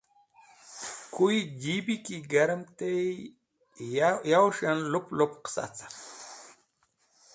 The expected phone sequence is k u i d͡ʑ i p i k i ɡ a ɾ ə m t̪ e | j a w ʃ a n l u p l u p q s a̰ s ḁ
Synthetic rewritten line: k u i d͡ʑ i b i k i ɡ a ɾ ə m t̪ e | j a w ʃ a n l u p l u p q s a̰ t͡s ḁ